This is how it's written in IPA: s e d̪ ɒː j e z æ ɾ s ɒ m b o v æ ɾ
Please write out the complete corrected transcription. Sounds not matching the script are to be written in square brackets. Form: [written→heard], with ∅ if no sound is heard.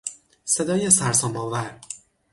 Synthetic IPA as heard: s e d̪ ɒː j e [z→s] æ ɾ s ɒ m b [o→ɒ] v æ ɾ